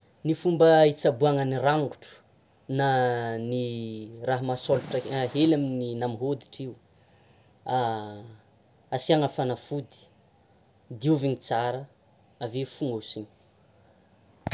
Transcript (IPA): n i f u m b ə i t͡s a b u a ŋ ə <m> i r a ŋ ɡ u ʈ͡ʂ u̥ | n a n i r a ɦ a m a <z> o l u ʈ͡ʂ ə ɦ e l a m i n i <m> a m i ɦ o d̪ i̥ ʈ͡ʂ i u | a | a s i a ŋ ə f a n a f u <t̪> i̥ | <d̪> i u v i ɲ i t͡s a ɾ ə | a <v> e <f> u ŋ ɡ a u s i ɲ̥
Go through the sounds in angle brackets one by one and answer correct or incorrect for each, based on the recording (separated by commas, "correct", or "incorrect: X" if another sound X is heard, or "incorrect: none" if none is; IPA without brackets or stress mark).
incorrect: n, incorrect: s, incorrect: n, incorrect: d̪, correct, correct, correct